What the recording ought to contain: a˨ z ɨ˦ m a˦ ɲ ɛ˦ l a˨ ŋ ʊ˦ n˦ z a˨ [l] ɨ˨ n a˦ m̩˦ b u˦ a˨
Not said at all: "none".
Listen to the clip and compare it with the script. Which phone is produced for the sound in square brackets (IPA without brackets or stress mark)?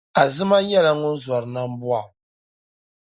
ɾ